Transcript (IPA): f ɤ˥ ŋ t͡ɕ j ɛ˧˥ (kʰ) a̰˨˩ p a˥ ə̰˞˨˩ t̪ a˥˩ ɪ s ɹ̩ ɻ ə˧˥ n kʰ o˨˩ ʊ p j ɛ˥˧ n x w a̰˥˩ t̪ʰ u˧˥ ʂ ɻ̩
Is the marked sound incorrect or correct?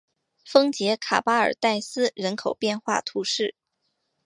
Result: correct